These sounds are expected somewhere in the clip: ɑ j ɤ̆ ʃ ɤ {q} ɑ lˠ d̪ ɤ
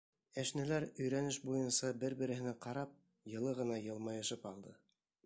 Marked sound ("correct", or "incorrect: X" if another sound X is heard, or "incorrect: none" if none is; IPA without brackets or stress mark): incorrect: p